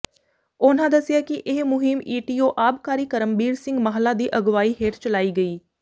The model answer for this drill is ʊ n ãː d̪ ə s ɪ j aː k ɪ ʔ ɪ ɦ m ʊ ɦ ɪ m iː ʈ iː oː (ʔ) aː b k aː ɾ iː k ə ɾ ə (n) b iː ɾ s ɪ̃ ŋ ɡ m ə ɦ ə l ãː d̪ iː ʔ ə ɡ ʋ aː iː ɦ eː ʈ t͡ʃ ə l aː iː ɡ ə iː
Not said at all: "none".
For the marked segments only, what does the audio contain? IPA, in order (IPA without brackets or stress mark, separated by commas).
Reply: ʔ, m